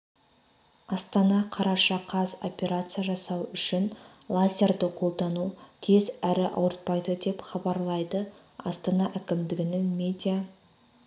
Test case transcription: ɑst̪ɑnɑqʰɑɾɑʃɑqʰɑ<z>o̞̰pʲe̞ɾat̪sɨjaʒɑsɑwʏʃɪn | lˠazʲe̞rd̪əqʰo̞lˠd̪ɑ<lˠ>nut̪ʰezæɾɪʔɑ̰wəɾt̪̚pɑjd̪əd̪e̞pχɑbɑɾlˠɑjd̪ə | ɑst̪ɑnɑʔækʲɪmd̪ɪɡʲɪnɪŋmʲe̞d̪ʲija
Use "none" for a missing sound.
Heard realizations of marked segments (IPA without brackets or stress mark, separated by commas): z, none